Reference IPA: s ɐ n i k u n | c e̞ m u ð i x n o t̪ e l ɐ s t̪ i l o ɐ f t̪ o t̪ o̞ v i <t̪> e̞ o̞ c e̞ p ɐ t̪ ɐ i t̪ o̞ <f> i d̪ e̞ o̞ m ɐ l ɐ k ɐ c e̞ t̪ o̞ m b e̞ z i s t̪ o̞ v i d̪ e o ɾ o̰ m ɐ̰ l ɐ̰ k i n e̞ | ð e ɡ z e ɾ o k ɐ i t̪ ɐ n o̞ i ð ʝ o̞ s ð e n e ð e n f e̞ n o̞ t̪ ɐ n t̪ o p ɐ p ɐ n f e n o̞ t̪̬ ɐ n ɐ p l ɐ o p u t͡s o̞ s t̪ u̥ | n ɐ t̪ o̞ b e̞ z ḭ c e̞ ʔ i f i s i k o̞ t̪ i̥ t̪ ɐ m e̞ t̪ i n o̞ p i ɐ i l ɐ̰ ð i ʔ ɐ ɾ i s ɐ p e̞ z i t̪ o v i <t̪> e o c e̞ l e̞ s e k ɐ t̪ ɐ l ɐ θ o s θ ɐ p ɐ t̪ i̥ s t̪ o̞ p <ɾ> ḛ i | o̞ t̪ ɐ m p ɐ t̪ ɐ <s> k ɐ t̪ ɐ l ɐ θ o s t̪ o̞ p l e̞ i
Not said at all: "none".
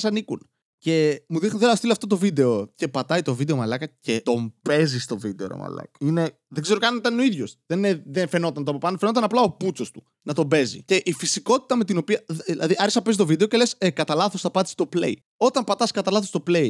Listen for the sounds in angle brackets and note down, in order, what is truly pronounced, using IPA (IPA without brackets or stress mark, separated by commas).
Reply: d̪, v, d̪, l, s